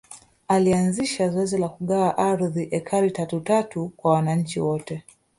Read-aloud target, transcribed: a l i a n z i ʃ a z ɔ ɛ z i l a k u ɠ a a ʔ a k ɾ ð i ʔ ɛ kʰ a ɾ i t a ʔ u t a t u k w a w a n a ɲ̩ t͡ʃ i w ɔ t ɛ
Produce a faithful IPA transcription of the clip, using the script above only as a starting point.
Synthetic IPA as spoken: a l i a n z i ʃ a z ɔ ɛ z i l a k u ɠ a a ʔ a ɾ ð i ʔ ɛ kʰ a ɾ i t a t u t a t u k w a w a n a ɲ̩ t͡ʃ i w ɔ t ɛ